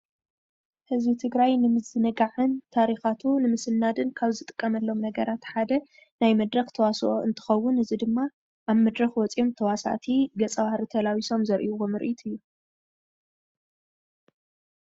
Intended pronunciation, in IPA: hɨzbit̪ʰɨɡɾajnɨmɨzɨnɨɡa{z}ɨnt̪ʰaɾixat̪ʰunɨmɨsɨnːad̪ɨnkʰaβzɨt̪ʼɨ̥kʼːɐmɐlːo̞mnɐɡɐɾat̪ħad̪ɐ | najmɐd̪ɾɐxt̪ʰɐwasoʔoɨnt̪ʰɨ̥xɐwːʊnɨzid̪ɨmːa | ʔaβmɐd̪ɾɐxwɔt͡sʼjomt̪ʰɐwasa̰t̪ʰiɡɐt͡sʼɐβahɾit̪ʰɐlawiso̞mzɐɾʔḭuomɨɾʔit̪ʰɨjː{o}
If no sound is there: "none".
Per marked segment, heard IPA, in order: ʕ, u

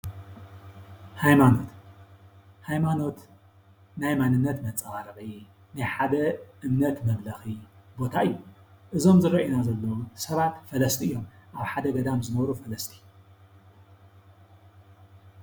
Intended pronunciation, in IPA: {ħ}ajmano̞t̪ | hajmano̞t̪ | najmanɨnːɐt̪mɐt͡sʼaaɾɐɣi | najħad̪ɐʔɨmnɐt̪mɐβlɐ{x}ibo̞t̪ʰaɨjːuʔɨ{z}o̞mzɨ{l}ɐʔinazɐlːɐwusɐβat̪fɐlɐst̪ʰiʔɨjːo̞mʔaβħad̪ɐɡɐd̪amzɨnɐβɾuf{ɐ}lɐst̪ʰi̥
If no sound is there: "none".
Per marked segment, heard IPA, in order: h, x, z, ɾ, ɐ

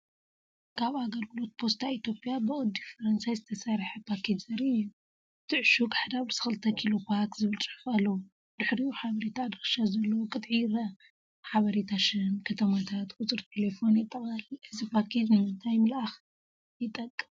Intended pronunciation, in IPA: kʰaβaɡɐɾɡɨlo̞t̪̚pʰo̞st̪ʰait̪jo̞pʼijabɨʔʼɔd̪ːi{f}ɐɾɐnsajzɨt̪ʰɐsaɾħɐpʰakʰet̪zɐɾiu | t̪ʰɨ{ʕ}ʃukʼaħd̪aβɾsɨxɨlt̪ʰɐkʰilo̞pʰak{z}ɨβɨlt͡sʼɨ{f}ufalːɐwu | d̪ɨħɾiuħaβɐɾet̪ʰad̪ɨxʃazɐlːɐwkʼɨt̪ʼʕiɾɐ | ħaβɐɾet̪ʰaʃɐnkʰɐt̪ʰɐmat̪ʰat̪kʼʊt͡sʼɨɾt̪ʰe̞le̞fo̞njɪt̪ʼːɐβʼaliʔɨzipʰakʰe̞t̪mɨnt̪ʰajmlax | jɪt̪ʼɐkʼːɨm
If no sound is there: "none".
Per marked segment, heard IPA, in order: f, ʕ, z, ħ

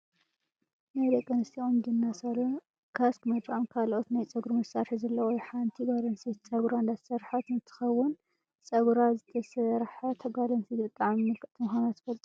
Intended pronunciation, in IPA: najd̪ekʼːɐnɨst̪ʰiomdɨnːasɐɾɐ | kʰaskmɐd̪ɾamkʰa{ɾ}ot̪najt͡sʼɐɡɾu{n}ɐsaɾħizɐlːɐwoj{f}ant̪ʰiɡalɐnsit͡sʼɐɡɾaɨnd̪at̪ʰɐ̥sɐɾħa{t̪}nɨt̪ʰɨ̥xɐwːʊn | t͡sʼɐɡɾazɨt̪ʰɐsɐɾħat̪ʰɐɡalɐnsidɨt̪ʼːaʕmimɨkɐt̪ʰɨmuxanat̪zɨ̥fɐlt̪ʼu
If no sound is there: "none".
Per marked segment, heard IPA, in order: l, m, ħ, t̪

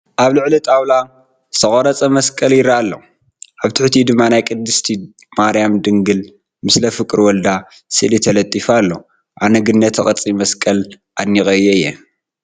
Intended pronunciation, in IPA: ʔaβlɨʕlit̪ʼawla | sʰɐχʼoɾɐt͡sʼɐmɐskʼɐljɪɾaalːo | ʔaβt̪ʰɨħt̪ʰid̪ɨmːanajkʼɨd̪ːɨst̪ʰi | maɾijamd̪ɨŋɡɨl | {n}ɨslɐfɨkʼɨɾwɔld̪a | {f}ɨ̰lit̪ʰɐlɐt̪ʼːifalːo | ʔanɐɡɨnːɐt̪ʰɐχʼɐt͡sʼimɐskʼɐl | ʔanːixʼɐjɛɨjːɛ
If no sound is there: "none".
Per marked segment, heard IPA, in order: m, s

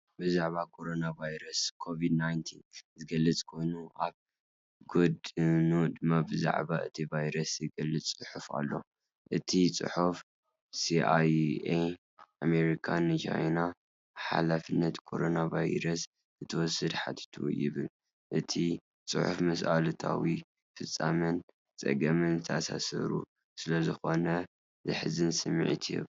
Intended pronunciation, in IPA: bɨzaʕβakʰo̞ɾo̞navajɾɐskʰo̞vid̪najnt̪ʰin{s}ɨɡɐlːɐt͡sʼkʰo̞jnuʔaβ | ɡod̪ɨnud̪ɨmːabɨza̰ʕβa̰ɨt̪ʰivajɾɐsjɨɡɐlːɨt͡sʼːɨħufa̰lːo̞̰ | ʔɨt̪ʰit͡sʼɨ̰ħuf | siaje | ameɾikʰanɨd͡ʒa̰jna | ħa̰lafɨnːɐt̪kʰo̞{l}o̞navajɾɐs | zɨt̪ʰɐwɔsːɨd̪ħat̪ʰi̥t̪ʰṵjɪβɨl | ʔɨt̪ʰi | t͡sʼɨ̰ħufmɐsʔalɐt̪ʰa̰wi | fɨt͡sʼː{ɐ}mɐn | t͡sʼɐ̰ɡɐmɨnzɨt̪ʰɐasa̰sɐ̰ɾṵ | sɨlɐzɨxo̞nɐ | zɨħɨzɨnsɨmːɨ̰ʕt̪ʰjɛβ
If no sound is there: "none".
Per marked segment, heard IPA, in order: z, ɾ, a

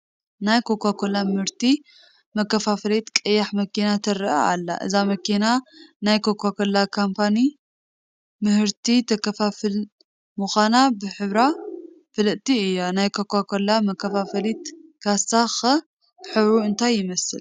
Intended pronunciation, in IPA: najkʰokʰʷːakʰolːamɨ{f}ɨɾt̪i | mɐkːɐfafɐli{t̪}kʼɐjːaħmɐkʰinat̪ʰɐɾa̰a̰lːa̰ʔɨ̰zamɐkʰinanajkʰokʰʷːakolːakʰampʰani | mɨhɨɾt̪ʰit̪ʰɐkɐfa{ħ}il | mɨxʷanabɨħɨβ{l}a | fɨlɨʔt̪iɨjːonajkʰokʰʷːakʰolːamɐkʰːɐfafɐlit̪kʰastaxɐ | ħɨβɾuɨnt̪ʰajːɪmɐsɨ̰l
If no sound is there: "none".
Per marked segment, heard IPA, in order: h, t̪, f, ɾ

